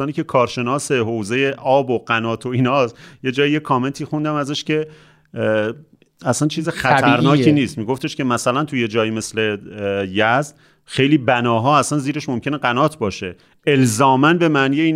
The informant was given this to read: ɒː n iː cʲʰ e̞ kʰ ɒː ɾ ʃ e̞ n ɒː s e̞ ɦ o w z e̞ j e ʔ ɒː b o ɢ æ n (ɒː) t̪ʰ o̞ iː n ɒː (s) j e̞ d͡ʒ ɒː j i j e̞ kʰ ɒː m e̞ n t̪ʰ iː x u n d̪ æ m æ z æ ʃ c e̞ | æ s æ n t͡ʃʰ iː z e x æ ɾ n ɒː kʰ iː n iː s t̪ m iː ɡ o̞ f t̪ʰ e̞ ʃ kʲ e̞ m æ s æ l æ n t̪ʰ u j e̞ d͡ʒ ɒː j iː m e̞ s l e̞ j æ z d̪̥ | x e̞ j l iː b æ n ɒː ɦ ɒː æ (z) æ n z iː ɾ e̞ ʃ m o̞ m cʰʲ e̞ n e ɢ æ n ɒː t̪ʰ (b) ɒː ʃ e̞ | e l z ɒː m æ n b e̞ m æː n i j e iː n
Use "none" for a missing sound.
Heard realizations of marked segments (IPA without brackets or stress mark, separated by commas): ɒː, s, s, b